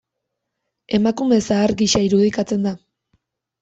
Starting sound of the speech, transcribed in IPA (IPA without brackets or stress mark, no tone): e̞